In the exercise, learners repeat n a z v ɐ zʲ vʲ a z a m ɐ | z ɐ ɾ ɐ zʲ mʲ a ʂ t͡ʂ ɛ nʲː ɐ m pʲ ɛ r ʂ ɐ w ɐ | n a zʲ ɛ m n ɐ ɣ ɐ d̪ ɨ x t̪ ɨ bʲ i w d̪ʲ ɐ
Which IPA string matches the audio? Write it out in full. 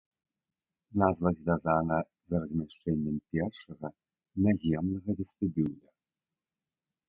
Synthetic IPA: n a z v ɐ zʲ vʲ a z a n ɐ | z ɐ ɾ ɐ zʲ mʲ a ʂ t͡ʂ ɛ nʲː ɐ m pʲ ɛ r ʂ ɐ ɣ ɐ | n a zʲ ɛ m n ɐ ɣ ɐ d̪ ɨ s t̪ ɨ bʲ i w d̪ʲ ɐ